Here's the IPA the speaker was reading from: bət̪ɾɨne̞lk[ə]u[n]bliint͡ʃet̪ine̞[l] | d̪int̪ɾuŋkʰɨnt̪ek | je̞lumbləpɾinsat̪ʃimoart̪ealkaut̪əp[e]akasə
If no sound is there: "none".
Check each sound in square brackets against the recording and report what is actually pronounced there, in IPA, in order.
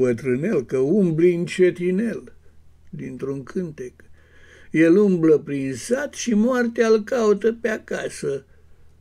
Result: ə, m, l, e

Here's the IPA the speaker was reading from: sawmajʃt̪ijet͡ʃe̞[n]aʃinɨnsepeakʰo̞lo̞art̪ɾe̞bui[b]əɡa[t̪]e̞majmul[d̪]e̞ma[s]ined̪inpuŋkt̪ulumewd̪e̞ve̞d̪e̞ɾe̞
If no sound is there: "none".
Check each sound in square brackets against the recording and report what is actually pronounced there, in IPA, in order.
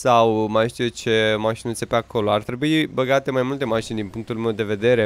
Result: m, b, t̪, t̪, ʃ

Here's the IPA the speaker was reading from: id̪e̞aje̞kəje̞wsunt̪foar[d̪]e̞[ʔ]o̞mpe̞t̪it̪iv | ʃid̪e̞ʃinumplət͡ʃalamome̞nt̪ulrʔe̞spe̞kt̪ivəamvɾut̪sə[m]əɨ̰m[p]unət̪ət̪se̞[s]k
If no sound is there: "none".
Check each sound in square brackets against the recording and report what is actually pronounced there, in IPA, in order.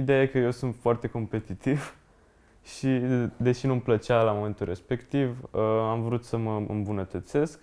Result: t̪, k, m, b, s

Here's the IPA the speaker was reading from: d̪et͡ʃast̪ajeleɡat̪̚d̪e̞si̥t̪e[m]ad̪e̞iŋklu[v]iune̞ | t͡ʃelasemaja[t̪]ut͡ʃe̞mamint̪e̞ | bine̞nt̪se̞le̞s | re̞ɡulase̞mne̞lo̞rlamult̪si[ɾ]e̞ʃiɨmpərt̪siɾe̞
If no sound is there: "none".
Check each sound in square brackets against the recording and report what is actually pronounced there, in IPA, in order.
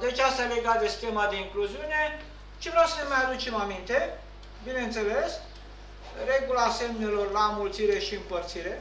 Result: m, z, d̪, ɾ

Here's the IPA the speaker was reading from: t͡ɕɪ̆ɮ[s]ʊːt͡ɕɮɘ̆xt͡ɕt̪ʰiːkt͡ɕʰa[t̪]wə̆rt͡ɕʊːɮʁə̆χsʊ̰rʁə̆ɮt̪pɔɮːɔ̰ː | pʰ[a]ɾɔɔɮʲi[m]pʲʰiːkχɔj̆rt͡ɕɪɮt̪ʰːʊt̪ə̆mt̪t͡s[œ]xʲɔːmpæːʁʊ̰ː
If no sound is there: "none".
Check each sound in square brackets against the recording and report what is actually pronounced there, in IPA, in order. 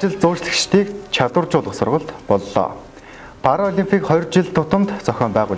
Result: t͡s, t̪, a, m, œ

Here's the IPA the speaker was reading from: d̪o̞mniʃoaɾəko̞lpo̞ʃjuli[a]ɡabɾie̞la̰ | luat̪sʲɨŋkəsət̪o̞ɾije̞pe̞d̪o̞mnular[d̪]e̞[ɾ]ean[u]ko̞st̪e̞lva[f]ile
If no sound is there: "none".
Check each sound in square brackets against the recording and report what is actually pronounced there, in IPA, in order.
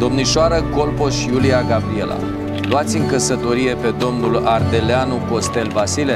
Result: a, d̪, l, u, s

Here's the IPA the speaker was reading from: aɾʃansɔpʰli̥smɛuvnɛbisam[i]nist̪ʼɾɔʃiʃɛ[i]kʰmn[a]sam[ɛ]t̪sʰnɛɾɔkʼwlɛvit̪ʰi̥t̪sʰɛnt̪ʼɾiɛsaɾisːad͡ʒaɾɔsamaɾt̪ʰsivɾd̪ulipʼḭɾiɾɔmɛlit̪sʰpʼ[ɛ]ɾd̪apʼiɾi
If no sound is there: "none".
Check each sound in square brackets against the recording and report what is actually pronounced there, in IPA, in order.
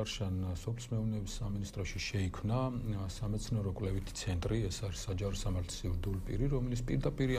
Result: i, i, a, ɛ, i

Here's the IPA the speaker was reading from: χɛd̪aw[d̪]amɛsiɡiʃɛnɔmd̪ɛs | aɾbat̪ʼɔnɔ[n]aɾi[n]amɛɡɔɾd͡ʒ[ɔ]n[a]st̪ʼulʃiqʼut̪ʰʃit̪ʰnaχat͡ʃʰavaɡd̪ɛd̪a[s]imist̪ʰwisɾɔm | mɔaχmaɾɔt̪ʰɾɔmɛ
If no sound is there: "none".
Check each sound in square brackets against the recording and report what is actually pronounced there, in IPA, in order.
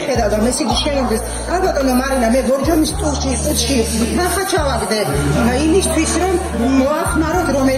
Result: d̪, m, n, ɔ, i, none

